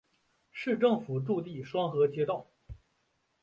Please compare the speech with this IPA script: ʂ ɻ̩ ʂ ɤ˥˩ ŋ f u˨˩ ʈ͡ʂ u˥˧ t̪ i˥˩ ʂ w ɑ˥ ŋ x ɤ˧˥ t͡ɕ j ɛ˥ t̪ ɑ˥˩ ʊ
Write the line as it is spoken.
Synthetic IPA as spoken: ʂ ɻ̩ ʈ͡ʂ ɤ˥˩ ŋ f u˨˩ ʈ͡ʂ u˥˧ t̪ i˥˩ ʂ w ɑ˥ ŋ x ɤ˧˥ t͡ɕ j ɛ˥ t̪ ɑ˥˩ ʊ